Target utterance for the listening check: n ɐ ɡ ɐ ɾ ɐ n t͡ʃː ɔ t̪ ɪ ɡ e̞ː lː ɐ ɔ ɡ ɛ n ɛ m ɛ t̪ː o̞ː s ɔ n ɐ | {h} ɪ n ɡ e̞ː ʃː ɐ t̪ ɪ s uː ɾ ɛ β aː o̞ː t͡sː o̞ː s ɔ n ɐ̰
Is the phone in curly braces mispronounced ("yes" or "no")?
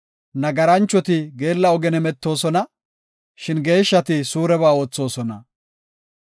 yes